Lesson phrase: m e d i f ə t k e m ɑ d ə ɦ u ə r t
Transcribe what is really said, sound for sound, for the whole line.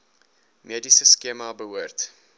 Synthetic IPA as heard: m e d i s ə s k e m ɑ b ə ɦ u ə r t